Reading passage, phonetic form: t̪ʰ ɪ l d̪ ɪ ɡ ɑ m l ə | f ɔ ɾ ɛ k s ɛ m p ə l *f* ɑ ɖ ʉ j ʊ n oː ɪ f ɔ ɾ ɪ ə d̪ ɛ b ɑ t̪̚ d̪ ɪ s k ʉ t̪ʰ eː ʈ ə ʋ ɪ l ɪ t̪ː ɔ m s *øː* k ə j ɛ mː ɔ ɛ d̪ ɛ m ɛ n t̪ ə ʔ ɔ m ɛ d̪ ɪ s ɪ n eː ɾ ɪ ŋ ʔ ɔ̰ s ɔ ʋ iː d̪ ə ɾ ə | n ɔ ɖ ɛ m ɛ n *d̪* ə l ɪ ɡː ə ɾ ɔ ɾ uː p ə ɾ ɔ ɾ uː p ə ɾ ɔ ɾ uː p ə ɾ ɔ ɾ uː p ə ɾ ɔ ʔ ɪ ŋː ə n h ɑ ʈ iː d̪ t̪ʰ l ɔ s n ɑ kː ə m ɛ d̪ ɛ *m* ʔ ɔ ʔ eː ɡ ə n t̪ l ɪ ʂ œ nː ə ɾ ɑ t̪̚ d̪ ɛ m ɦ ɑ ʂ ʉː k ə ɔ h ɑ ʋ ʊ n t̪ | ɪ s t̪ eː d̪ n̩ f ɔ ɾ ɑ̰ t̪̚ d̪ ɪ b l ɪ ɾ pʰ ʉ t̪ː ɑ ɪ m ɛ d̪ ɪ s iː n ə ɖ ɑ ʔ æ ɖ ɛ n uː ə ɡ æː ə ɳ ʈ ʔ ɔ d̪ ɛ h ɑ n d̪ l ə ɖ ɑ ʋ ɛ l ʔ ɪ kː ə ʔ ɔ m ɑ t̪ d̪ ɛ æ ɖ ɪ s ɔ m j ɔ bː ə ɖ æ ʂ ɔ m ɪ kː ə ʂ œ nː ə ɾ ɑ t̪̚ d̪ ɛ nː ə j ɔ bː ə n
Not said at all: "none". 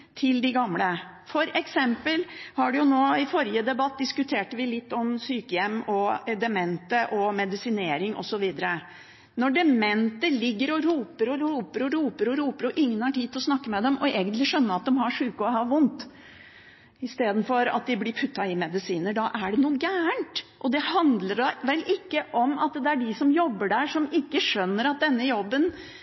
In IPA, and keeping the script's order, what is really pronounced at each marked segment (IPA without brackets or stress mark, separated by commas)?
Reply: h, yː, t̪, m